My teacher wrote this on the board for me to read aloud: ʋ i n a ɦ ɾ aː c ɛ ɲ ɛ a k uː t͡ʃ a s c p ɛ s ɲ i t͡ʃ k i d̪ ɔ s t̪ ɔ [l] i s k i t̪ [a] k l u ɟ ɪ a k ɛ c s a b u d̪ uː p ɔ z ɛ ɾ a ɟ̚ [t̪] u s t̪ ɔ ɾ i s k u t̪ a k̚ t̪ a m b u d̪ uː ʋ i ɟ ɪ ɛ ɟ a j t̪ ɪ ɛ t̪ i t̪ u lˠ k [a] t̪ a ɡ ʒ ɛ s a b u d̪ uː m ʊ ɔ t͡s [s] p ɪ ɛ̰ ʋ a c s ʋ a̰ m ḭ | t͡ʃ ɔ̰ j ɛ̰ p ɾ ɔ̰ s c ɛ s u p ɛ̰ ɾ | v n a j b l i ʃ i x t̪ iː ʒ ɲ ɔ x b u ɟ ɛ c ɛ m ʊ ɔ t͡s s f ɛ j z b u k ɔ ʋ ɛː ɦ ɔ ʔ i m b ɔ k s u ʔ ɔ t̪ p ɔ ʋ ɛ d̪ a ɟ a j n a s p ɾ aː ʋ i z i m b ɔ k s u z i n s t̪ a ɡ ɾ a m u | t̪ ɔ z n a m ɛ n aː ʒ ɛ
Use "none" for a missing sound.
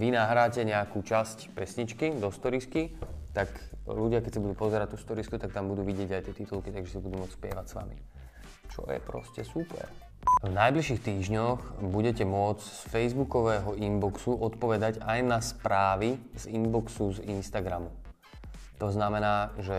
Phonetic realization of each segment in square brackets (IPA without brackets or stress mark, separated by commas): ɾ, a, t̪, i, s